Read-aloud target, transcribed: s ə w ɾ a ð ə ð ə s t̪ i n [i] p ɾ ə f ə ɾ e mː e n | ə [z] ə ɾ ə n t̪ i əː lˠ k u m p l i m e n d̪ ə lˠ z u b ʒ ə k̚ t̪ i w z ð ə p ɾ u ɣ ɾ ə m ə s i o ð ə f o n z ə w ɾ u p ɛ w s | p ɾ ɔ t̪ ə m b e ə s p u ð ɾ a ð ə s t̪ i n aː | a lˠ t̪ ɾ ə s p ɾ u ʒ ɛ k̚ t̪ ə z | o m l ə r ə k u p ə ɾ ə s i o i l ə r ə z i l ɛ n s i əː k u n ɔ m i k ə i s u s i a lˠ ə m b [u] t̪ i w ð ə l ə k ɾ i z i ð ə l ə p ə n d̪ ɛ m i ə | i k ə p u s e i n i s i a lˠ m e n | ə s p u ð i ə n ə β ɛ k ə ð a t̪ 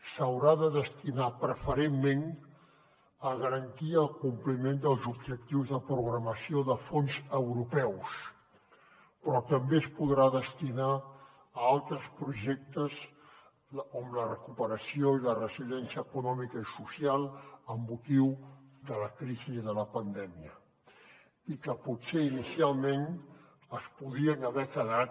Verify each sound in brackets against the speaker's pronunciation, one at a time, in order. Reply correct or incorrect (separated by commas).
incorrect, incorrect, correct